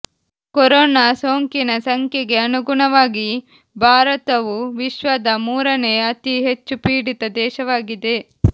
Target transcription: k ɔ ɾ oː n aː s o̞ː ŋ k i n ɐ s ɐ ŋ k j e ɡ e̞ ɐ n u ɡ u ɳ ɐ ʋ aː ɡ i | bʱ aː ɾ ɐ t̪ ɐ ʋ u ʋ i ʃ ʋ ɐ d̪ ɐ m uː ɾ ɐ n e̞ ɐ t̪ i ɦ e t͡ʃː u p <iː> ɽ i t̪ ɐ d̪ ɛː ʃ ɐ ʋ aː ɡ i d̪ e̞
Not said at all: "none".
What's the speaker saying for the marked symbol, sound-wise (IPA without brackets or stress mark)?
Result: iː